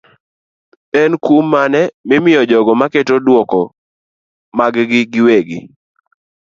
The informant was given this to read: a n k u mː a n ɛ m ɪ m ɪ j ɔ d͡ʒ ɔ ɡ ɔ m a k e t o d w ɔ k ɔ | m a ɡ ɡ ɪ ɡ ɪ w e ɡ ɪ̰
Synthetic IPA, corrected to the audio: ɛ n k u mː a n ɛ m ɪ m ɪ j ɔ d͡ʒ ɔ ɡ ɔ m a k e t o d w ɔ k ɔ | m a ɡ ɡ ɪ ɡ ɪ w e ɡ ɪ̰